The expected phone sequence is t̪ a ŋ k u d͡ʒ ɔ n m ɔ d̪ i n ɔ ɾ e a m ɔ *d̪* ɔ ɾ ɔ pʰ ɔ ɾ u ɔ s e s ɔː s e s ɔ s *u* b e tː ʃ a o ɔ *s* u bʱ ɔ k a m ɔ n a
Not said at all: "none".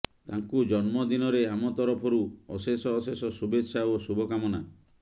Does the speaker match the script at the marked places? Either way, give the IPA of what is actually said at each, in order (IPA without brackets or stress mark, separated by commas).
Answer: t̪, u, s